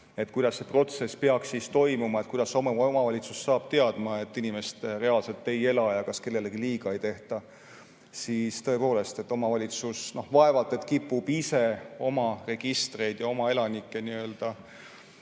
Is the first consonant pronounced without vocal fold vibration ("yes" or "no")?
yes